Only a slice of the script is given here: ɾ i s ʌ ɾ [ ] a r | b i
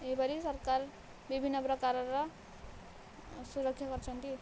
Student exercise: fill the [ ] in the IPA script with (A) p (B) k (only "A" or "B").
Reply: B